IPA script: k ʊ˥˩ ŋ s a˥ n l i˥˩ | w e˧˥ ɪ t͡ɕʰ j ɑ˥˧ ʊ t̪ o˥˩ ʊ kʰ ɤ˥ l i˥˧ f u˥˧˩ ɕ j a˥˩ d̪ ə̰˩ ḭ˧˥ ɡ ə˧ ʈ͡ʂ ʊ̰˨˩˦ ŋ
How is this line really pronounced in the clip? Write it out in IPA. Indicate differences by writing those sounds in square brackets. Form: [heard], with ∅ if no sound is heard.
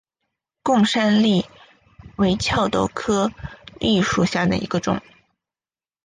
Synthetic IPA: k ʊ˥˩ ŋ [ʂ] a˥ n l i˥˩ | w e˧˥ ɪ t͡ɕʰ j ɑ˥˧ ʊ t̪ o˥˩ ʊ kʰ ɤ˥ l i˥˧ [ʂ] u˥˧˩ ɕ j a˥˩ d̪ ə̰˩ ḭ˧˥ ɡ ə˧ ʈ͡ʂ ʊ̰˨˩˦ ŋ